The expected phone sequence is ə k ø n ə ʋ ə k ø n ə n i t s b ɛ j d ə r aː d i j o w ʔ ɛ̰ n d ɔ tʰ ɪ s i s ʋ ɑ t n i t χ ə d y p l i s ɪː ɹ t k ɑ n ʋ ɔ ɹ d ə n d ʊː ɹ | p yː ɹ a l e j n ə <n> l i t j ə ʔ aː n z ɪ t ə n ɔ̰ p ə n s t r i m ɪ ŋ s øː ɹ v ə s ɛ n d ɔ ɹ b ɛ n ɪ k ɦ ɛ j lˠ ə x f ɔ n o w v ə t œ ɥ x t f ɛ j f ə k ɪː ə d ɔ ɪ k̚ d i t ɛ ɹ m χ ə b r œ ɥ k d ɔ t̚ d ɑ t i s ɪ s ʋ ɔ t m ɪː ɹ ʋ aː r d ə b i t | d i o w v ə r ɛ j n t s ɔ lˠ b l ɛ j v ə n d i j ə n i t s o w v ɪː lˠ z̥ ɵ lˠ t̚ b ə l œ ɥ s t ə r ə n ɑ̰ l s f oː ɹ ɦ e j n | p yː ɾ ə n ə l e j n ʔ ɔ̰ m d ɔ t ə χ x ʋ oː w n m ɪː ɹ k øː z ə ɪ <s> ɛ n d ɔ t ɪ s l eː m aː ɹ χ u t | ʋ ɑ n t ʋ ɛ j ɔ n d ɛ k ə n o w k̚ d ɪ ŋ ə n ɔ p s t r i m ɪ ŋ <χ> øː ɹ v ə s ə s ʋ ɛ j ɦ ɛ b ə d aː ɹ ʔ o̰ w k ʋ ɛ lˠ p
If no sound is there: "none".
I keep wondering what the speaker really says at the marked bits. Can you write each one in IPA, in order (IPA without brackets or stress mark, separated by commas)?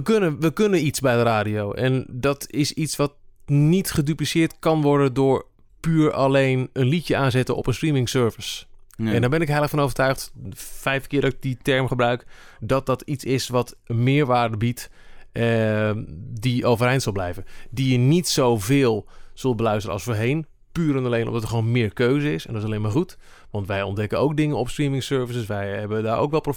n, s, s